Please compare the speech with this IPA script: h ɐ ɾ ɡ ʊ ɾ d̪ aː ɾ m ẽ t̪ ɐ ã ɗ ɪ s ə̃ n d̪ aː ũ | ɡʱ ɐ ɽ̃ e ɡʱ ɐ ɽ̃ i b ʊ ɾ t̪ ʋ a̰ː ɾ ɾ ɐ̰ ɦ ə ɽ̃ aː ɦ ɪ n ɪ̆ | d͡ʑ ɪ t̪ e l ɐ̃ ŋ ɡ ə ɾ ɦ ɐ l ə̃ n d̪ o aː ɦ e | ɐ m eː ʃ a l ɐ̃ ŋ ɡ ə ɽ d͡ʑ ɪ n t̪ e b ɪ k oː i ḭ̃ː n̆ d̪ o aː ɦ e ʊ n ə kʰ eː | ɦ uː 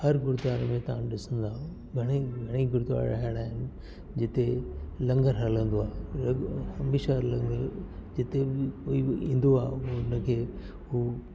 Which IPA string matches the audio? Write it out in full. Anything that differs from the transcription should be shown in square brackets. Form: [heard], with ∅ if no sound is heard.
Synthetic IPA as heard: h ɐ ɾ ɡ ʊ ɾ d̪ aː ɾ m ẽ t̪ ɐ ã ɗ ɪ s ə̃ n d̪ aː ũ | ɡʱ ɐ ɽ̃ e ɡʱ ɐ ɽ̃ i [ɡ] ʊ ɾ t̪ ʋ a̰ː ɾ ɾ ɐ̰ ɦ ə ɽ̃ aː ɦ ɪ n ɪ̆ | d͡ʑ ɪ t̪ e l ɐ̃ ŋ ɡ ə ɾ ɦ ɐ l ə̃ n d̪ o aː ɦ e | ɐ m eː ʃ a l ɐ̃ ŋ ɡ ə [ɾ] d͡ʑ ɪ [∅] t̪ e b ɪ k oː i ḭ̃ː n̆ d̪ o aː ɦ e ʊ n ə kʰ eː | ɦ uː